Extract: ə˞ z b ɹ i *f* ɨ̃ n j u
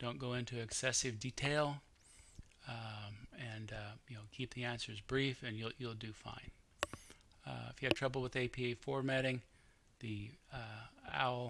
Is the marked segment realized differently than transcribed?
no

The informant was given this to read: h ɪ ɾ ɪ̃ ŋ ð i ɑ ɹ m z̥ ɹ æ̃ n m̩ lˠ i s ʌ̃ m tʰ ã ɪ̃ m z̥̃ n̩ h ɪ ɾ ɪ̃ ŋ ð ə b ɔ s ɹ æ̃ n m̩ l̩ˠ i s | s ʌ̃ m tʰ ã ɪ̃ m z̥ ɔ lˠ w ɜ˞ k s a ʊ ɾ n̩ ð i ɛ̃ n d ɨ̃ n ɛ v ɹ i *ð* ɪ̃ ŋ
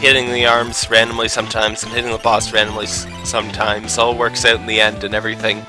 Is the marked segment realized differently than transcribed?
yes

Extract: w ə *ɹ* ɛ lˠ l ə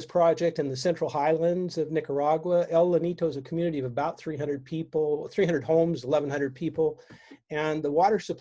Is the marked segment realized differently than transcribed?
yes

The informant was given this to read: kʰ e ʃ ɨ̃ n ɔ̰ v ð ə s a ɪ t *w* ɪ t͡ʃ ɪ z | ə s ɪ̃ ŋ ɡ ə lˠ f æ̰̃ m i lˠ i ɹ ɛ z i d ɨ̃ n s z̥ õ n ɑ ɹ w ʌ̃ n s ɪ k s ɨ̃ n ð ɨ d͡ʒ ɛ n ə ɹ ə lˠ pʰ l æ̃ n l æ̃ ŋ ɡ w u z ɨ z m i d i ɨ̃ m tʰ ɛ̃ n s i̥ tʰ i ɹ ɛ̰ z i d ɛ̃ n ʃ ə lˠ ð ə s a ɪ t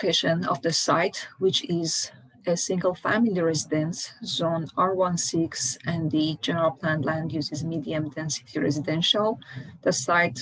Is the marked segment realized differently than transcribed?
no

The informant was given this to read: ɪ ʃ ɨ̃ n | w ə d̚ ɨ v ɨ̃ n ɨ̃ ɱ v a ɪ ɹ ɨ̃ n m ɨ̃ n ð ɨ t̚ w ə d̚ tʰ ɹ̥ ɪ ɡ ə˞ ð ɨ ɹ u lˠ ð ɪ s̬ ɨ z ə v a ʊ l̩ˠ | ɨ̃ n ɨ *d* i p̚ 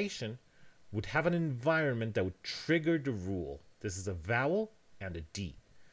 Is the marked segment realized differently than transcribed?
no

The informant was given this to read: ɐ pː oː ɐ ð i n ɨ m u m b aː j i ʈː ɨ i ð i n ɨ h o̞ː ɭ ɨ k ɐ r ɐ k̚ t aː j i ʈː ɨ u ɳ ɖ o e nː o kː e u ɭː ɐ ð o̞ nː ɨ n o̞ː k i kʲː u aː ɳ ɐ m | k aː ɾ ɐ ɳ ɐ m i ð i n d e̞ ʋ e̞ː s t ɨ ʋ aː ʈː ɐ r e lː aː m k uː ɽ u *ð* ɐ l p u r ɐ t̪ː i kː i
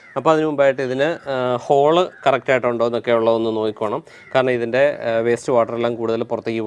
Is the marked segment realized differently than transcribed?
no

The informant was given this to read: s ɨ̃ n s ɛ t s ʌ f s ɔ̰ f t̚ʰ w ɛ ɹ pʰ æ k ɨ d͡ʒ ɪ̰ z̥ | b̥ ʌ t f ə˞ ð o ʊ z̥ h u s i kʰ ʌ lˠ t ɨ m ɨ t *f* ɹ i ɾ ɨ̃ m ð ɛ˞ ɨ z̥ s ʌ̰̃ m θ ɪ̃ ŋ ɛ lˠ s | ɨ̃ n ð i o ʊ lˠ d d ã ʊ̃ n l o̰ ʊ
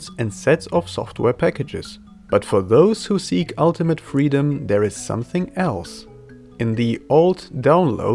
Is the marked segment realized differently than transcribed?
no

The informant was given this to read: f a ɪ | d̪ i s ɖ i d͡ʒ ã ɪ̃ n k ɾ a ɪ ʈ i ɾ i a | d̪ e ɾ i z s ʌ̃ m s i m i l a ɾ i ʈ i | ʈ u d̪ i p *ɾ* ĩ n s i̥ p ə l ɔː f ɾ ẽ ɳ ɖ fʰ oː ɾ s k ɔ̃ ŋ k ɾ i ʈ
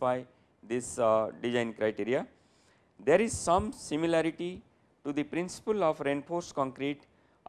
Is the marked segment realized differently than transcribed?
no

